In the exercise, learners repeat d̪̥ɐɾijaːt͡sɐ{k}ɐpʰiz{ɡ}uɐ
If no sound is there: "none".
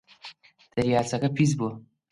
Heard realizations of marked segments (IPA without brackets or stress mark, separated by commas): k, b